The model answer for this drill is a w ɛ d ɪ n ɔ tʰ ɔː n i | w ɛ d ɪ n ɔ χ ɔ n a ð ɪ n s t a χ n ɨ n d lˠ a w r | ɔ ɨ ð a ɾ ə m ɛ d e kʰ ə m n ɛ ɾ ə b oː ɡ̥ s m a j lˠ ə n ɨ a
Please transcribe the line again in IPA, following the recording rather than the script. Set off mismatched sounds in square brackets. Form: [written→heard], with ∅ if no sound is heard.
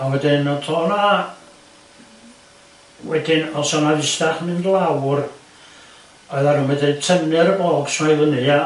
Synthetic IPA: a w ɛ d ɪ n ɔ tʰ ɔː n [i→a] | w ɛ d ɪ n ɔ [χ→s] ɔ n a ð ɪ [n→∅] s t a χ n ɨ n d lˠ a w r | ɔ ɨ ð a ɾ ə m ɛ d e [kʰ→tʰ] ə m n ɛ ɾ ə b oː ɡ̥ s m a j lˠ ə n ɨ a